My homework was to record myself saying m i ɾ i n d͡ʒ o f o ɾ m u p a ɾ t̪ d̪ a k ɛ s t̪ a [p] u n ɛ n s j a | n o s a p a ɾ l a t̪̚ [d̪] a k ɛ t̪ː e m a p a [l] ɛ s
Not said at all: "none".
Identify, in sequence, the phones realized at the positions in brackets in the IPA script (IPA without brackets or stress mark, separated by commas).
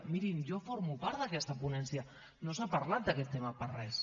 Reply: p, d̪, r